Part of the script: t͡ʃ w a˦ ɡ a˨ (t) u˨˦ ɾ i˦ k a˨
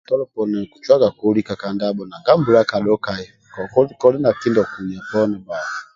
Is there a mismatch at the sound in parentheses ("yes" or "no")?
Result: yes